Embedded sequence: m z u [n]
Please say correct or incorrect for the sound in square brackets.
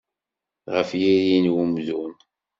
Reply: correct